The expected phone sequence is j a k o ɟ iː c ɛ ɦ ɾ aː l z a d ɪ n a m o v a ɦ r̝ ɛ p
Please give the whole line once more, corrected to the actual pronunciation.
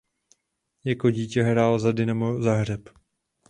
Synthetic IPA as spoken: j a k o ɟ iː c ɛ ɦ ɾ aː l z a d ɪ n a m o z a ɦ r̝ ɛ p